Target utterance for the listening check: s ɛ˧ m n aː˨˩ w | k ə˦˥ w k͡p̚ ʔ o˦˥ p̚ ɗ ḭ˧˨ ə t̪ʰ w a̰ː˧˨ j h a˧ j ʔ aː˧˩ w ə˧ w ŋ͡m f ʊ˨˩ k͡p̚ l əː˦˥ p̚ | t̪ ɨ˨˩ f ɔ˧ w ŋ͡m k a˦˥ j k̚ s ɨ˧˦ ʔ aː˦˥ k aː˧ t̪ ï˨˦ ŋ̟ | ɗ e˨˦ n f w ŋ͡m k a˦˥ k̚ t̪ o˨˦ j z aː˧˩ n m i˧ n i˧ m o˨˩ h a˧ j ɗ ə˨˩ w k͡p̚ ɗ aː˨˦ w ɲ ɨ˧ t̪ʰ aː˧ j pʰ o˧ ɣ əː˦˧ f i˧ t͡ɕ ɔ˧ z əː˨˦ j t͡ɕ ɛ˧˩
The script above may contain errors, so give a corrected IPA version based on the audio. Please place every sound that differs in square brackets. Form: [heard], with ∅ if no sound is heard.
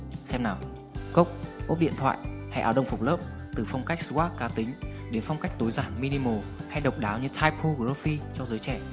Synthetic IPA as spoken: s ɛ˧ m n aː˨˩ w | k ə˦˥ w k͡p̚ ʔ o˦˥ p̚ ɗ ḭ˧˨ ə t̪ʰ w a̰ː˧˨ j h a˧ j ʔ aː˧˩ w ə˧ w ŋ͡m f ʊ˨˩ k͡p̚ l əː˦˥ p̚ | t̪ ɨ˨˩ f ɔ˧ w ŋ͡m k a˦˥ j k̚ s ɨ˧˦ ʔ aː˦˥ k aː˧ t̪ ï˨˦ ŋ̟ | ɗ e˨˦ n f w ŋ͡m k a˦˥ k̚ t̪ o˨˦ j z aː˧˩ n m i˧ n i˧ m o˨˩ h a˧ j ɗ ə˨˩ w k͡p̚ ɗ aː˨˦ w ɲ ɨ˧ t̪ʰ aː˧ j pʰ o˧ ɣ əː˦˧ f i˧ t͡ɕ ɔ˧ z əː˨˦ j t͡ɕ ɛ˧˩